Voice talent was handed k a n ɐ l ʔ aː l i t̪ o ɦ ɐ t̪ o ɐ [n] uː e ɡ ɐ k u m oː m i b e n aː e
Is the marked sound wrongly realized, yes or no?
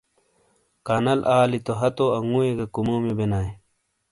yes